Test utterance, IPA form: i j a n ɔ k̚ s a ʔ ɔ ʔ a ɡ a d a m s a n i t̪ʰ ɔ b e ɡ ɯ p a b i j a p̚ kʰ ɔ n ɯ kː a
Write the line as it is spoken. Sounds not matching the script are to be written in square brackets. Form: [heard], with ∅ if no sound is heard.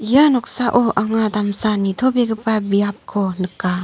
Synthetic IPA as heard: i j a n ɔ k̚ s a ʔ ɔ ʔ a [ŋ] a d a m s a n i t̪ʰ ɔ b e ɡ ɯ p a b i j a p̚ kʰ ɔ n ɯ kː a